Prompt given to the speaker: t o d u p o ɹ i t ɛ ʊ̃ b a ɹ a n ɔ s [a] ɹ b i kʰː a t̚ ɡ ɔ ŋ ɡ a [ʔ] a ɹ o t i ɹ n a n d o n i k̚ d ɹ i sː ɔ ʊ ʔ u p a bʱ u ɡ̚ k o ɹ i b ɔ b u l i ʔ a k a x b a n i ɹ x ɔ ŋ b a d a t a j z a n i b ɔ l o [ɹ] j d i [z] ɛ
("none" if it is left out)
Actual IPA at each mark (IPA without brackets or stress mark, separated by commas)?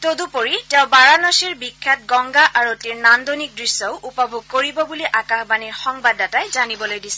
i, ʔ, none, s